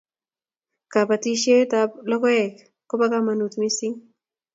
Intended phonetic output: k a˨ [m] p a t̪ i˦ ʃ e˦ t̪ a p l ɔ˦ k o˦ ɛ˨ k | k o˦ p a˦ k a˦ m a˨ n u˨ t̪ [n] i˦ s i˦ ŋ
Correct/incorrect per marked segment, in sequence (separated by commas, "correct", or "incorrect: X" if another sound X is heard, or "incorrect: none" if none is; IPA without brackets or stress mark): incorrect: none, incorrect: m